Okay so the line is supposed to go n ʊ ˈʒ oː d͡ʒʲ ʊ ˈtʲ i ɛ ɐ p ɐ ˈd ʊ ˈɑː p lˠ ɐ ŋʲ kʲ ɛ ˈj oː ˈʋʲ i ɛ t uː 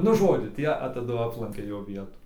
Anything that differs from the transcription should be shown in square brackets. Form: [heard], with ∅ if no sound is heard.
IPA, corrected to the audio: n ʊ ˈʒ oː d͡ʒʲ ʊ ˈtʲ i ɛ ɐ [t] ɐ ˈd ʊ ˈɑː p lˠ ɐ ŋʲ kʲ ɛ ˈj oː ˈʋʲ i ɛ t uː